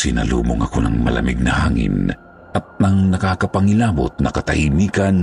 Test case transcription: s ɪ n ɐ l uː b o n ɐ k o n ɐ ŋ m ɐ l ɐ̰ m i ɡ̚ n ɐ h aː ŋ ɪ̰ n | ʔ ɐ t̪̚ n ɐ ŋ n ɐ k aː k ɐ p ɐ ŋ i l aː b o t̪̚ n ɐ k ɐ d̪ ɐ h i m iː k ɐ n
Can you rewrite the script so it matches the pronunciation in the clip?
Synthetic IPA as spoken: s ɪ n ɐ l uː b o ŋ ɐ k o n ɐ ŋ m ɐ l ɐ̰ m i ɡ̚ n ɐ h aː ŋ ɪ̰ n | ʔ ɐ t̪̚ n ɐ ŋ n ɐ k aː k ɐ p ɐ ŋ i l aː b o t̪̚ n ɐ k ɐ t̪ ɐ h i m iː k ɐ n